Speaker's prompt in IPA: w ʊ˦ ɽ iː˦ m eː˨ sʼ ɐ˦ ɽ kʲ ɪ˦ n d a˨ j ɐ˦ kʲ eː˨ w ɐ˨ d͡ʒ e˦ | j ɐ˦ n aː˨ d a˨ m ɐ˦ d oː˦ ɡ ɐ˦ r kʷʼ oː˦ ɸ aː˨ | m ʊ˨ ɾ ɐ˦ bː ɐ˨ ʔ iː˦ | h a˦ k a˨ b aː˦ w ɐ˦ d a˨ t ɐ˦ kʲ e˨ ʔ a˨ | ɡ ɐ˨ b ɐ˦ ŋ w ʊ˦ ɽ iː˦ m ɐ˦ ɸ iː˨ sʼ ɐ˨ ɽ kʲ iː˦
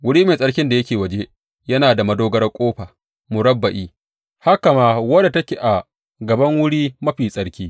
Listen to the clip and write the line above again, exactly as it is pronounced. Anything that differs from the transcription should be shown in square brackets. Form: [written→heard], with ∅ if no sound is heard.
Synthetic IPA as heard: w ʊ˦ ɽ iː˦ m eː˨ sʼ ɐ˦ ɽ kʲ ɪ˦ n d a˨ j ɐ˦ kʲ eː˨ w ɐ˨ d͡ʒ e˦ | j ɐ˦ n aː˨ d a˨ m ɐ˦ d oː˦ ɡ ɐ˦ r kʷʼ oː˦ ɸ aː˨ | m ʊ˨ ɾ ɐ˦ bː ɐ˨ ʔ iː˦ | h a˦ k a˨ [b→m] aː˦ w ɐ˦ d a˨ t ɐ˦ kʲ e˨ ʔ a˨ | ɡ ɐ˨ b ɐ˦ ŋ w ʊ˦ ɽ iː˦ m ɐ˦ ɸ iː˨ sʼ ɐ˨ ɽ kʲ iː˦